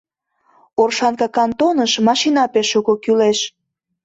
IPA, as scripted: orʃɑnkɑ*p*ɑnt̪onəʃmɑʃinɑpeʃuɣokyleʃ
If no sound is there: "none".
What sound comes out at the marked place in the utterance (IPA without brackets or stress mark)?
k